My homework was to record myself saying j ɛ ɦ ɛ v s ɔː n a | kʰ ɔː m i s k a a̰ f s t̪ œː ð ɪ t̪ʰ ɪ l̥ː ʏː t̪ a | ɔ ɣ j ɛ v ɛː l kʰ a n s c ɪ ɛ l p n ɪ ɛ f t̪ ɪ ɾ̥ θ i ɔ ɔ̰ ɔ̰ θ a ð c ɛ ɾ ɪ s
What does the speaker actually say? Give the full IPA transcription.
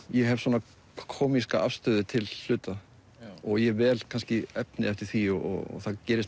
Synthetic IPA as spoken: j ɛ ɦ ɛ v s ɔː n a | kʰ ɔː m i s k a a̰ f s t̪ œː ð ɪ t̪ʰ ɪ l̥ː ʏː t̪ a | ɔ ɣ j ɛ v ɛː l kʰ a n s c ɪ ɛ p n ɪ ɛ f t̪ ɪ ɾ̥ θ i ɔ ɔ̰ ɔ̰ θ a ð c ɛː ɾ ɪ s